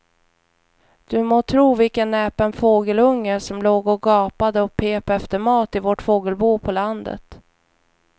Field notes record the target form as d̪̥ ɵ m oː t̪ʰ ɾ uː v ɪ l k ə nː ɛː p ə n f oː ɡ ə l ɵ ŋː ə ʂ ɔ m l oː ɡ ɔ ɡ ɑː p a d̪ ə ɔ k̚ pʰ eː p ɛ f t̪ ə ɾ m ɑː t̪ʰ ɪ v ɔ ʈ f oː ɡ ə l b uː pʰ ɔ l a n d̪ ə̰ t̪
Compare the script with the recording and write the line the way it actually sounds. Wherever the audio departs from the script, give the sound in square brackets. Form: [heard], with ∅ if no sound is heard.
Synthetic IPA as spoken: d̪̥ ɵ m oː t̪ʰ ɾ uː v ɪ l k ə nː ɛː p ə n f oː ɡ ə l ɵ ŋː ə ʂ ɔ m l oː ɡ ɔ ɡ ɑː p a d̪ ə ɔ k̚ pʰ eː p ɛ f t̪ ə ɾ m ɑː [t̪] ɪ v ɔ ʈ f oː ɡ ə l b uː pʰ ɔ l a n d̪ ə̰ t̪